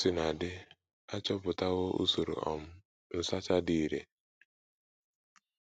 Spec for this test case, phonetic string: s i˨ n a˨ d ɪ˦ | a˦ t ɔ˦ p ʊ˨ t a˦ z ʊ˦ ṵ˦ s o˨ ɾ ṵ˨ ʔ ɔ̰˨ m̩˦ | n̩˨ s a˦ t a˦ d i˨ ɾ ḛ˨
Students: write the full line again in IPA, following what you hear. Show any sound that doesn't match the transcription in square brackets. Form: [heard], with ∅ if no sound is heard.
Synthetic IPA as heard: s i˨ n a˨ d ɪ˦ | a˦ [t͡ʃ] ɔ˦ p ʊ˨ t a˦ [ɣ] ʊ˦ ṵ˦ s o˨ ɾ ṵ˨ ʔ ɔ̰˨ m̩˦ | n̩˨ s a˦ [t͡ʃ] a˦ d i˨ ɾ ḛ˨